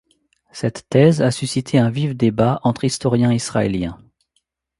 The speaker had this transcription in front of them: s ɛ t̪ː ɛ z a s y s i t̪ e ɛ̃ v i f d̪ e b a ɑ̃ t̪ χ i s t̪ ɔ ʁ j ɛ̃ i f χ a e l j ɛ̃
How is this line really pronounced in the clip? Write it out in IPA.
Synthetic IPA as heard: s ɛ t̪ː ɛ z a s y s i t̪ʰ e ɛ̃ v i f d̪ e b a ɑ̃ t̪ χ i s t̪ ɔ ʁ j ɛ̃ i s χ a e l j ɛ̃